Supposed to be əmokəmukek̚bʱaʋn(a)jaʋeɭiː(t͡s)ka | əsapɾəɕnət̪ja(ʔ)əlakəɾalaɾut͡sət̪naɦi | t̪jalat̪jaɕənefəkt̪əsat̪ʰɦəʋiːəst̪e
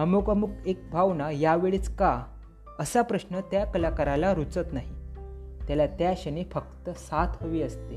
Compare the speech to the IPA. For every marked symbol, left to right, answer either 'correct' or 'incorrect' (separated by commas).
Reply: correct, correct, incorrect